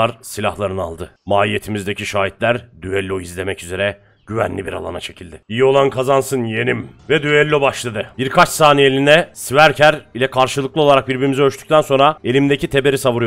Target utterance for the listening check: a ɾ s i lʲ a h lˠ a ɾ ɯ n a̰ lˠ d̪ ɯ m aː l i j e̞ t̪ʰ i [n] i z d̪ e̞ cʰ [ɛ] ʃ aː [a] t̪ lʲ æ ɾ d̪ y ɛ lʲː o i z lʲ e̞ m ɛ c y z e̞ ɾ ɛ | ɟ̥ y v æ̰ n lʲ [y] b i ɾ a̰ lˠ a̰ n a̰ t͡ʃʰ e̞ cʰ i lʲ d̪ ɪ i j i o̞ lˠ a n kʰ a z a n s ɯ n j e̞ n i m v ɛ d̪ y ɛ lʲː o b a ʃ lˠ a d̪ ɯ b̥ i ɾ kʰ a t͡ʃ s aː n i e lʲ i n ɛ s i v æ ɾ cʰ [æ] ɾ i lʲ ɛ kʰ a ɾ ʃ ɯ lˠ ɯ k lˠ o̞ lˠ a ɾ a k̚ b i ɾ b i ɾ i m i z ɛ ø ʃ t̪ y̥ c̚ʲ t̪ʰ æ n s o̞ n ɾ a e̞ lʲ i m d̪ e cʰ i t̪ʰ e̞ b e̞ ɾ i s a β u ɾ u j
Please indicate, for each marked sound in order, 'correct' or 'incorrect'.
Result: incorrect, incorrect, incorrect, incorrect, correct

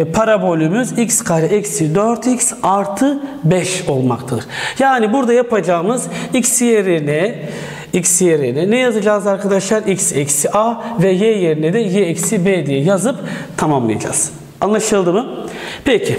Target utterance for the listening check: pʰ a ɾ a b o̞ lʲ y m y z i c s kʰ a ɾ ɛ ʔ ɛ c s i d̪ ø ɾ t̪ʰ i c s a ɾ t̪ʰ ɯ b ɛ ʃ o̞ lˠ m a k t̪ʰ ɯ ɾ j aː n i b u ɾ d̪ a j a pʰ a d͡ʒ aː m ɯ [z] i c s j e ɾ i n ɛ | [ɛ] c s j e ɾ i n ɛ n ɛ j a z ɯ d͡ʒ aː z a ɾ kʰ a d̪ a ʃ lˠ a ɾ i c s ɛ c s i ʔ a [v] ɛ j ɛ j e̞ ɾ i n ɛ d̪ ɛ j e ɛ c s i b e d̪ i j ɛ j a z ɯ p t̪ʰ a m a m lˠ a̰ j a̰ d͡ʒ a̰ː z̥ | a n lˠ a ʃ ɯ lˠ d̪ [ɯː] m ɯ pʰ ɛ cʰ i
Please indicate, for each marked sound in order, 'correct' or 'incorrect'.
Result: correct, incorrect, correct, incorrect

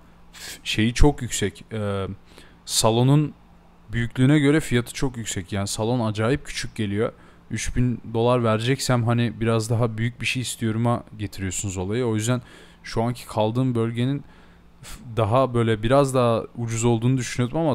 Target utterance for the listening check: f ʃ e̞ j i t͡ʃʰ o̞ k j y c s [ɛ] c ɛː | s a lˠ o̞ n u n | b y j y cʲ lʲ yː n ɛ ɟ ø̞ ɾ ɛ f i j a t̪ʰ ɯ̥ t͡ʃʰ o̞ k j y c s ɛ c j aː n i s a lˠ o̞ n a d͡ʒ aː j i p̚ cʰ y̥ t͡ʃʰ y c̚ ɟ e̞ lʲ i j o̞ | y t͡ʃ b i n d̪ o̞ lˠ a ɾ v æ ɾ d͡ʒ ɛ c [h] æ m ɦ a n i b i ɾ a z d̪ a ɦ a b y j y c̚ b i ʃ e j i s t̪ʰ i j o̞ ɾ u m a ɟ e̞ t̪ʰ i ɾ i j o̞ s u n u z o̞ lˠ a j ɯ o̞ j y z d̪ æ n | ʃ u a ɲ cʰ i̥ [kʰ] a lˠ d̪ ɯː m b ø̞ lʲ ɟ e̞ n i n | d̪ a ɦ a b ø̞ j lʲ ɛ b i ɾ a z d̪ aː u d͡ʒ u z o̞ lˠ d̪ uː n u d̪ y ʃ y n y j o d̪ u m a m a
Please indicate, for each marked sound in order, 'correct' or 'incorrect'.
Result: correct, incorrect, correct

